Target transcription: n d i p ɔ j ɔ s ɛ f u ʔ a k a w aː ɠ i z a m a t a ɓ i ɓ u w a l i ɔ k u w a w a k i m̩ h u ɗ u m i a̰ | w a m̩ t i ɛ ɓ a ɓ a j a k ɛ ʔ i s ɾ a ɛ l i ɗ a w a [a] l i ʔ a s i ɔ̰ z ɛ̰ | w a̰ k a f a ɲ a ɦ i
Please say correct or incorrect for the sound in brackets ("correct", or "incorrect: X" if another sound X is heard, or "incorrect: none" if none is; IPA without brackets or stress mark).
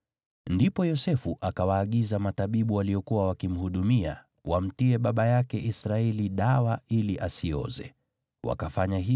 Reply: incorrect: i